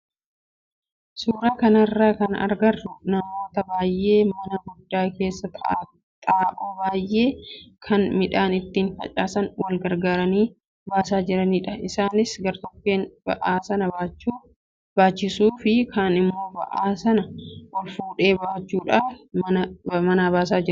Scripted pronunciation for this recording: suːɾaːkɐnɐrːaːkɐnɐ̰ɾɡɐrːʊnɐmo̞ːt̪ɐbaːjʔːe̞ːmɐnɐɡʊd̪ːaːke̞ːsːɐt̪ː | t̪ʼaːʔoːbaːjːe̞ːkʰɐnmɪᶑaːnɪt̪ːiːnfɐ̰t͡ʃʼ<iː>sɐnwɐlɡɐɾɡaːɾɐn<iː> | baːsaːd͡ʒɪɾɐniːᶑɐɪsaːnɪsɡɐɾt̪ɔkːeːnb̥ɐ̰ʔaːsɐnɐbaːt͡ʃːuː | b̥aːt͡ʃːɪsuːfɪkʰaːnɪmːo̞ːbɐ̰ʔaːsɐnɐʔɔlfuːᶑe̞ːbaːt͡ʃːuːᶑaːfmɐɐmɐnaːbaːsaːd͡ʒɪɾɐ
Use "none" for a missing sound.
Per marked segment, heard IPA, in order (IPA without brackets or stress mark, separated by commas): aː, iː